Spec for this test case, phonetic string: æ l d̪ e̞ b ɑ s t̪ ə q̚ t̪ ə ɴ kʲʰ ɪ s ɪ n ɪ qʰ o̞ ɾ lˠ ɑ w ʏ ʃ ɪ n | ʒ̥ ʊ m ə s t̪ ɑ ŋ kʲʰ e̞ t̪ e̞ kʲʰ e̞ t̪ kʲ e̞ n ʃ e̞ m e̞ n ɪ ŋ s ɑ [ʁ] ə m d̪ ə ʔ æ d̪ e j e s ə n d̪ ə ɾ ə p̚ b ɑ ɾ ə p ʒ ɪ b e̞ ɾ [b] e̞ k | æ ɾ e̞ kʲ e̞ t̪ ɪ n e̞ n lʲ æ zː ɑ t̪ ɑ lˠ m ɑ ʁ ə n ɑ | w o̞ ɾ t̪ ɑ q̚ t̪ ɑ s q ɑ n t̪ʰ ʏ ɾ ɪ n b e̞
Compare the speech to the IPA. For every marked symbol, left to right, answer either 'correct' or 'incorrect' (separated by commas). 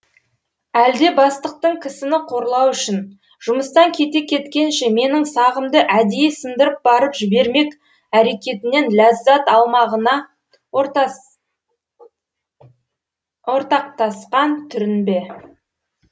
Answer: correct, incorrect